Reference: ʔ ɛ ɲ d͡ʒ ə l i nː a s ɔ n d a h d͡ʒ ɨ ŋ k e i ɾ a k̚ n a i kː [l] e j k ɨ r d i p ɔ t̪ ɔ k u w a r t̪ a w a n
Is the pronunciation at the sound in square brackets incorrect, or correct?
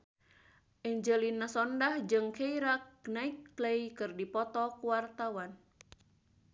correct